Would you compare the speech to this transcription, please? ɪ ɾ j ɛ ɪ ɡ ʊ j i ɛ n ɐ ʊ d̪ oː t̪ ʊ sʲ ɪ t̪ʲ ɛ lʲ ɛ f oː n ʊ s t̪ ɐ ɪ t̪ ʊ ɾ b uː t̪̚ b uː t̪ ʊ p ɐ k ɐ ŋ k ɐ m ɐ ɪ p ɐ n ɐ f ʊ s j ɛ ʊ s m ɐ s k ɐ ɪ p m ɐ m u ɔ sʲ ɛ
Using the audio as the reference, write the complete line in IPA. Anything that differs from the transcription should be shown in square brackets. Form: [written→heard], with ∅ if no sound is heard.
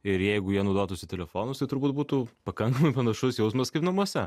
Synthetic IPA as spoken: ɪ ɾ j ɛ ɪ ɡ ʊ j i ɛ n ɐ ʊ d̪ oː t̪ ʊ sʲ ɪ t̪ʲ ɛ lʲ ɛ f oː n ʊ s t̪ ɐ ɪ t̪ ʊ ɾ b uː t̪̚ b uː t̪ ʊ p ɐ k ɐ ŋ k ɐ m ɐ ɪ p ɐ n ɐ [f→ʃ] ʊ s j ɛ ʊ s m ɐ s k ɐ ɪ p [m→n] ɐ m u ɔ sʲ ɛ